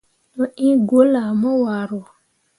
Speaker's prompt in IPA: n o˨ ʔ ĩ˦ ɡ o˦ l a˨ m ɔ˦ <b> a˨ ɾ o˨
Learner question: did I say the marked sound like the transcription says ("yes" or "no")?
no